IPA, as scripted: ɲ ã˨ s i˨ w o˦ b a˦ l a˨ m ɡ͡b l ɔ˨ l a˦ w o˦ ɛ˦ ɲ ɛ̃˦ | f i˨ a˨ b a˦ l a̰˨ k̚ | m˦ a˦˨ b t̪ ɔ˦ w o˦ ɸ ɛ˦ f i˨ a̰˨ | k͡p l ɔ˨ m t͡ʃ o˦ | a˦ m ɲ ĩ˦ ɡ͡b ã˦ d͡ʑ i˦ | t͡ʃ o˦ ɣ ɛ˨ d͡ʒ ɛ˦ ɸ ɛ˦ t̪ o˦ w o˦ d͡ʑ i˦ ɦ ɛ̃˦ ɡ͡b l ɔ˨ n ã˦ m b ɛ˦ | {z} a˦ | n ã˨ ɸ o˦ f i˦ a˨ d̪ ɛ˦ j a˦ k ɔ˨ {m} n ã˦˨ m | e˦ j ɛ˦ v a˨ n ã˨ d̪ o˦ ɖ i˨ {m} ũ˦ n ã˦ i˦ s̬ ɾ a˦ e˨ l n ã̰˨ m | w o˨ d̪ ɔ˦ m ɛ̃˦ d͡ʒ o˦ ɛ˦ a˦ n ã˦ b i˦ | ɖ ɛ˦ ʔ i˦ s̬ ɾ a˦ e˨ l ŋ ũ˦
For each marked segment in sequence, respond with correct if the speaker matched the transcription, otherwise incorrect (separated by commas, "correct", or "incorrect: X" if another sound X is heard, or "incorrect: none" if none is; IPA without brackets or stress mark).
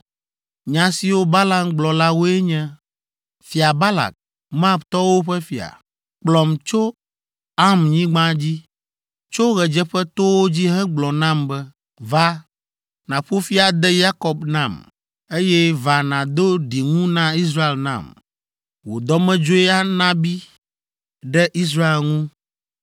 incorrect: v, incorrect: b, incorrect: ŋ